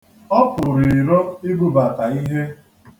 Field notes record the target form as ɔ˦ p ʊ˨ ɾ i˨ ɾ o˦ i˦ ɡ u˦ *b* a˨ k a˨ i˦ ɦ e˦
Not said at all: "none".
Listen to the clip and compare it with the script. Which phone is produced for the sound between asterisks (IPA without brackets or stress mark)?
b